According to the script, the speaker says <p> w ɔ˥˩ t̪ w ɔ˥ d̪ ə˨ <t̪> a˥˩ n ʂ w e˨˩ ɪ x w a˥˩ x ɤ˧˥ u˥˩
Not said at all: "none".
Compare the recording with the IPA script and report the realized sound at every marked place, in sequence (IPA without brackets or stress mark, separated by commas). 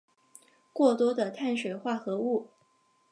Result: k, t̪ʰ